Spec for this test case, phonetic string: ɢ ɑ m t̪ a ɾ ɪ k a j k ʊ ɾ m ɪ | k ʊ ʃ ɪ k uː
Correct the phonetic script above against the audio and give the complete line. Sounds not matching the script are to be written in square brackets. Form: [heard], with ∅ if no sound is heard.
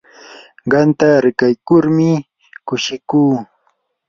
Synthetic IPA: ɢ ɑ [n] t̪ a ɾ ɪ k a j k ʊ ɾ m ɪ | k ʊ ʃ ɪ k uː